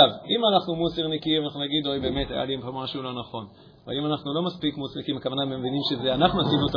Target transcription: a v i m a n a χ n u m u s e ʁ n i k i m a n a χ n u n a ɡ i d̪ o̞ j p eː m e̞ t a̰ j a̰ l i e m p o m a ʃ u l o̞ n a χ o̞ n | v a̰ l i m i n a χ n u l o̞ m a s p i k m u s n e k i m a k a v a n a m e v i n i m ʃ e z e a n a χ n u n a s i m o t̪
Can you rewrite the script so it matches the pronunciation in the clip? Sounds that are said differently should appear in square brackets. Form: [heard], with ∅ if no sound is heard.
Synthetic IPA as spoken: a v i m a n a χ n u m u s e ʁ n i k i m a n a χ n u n a ɡ i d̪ o̞ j [b] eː m e̞ t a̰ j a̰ l i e m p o m a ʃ u l o̞ n a χ o̞ n | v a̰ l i m [a] n a χ n u l o̞ m a s p i k m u s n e k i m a k a v a n a m e v i n i m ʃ e z e a n a χ n u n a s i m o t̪